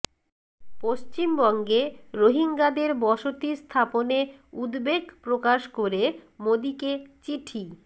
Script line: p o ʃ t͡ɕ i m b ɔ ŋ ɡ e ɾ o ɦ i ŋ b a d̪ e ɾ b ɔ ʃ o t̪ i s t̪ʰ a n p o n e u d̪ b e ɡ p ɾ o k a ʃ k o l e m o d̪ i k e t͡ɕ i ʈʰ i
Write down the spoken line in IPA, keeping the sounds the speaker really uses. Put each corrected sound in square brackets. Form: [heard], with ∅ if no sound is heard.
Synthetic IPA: p o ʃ t͡ɕ i m b ɔ ŋ ɡ e ɾ o ɦ i ŋ [ɡ] a d̪ e ɾ b ɔ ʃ o t̪ i s t̪ʰ a [∅] p o n e u d̪ b e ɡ p ɾ o k a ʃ k o [ɾ] e m o d̪ i k e t͡ɕ i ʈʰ i